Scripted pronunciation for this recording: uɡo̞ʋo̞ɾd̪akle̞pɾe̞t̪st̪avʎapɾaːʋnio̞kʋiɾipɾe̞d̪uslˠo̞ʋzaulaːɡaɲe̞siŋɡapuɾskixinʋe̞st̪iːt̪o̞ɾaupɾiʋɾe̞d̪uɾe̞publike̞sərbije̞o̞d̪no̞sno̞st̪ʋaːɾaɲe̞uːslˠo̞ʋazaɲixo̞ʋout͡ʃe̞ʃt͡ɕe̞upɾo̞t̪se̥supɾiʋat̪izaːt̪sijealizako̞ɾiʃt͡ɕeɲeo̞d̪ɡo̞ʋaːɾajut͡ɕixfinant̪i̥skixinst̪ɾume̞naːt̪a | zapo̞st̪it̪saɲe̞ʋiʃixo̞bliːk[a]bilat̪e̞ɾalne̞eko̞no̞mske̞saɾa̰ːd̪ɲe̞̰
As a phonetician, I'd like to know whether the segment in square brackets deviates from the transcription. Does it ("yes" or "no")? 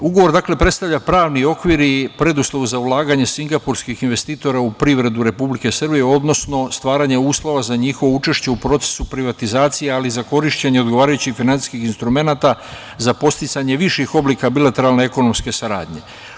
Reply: no